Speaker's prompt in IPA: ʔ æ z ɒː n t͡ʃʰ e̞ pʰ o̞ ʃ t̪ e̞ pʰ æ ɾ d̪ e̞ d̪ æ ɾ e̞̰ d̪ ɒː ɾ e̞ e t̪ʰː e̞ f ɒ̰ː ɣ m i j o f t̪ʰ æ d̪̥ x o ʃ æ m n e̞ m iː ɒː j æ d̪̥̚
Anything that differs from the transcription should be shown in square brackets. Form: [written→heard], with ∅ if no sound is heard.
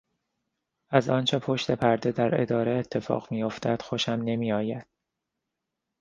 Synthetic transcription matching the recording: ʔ æ z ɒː n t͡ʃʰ e̞ pʰ o̞ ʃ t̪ e̞ pʰ æ ɾ d̪ e̞ d̪ æ ɾ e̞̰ d̪ ɒː ɾ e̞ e t̪ʰː e̞ f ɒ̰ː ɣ m i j o f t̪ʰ æ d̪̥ x o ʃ æ m n e̞ m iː ɒː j æ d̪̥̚

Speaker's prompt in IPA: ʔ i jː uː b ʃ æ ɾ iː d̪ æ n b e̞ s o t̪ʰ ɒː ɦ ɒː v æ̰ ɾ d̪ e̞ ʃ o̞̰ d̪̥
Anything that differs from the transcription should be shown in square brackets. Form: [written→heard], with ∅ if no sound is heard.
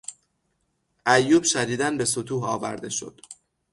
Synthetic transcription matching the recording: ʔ [i→æ] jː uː b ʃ æ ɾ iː d̪ æ n b e̞ s o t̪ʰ [ɒː→uː] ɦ ɒː v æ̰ ɾ d̪ e̞ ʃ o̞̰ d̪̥

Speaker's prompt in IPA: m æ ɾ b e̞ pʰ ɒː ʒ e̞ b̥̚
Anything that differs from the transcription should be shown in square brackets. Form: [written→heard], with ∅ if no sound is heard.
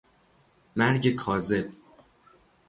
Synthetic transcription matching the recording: m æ ɾ [b→ɟ] e̞ [pʰ→kʰ] ɒː [ʒ→z] e̞ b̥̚

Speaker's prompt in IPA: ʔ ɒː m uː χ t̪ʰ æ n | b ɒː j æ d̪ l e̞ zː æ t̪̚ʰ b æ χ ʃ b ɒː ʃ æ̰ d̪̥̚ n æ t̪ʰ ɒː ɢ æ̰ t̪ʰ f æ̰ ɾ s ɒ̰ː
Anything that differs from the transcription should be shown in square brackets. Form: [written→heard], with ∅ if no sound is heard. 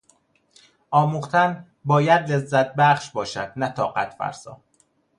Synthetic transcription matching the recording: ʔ ɒː m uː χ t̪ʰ æ n | b ɒː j æ d̪ l e̞ zː æ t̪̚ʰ b æ χ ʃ b ɒː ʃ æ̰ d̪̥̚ n æ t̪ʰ ɒː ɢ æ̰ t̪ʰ f æ̰ ɾ s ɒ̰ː

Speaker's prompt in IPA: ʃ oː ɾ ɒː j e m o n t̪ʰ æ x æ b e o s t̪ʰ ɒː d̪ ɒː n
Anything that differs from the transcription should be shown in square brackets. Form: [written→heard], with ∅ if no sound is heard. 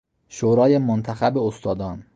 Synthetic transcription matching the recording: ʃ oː ɾ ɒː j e m o n t̪ʰ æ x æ b e o s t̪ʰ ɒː d̪ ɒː n

